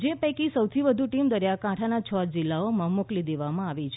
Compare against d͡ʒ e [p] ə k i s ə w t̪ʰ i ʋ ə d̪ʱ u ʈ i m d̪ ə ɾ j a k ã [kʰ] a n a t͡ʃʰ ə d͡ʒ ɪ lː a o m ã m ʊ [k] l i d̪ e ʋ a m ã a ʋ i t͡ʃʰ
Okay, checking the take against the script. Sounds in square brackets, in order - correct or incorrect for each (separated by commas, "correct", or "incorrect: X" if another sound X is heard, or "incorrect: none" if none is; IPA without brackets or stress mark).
correct, incorrect: ʈʰ, correct